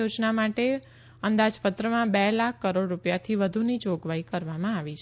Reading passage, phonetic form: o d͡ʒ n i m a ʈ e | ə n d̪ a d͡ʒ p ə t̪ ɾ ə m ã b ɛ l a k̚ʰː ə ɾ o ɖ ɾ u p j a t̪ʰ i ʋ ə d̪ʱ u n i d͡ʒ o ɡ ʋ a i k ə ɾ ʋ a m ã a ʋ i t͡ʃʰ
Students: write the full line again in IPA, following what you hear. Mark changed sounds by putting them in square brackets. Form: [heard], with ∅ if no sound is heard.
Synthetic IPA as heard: o d͡ʒ n [a] m a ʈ e | ə n d̪ a d͡ʒ p ə t̪ ɾ ə m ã b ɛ l a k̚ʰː ə ɾ o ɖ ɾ u p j a t̪ʰ i ʋ ə d̪ʱ u n i d͡ʒ o ɡ ʋ a i k ə ɾ ʋ a m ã a ʋ i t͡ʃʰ